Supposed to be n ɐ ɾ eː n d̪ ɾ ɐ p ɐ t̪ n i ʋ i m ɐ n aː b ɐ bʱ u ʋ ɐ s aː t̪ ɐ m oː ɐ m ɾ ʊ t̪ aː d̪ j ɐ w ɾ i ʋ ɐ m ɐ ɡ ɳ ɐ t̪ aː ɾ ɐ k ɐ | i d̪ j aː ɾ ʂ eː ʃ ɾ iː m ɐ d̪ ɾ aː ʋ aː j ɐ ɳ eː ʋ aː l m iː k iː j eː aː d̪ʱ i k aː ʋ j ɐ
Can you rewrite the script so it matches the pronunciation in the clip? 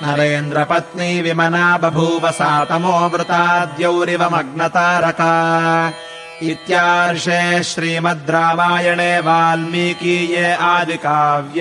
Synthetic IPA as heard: n ɐ ɾ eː n d̪ ɾ ɐ p ɐ t̪ n i ʋ i m ɐ n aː b ɐ bʱ u ʋ ɐ s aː t̪ ɐ m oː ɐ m ɾ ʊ t̪ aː d̪ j ɐ w ɾ i ʋ ɐ m ɐ ɡ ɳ ɐ t̪ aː ɾ ɐ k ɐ | i t̪ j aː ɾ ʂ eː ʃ ɾ iː m ɐ d̪ ɾ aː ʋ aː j ɐ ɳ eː ʋ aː l m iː k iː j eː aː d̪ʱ i k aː ʋ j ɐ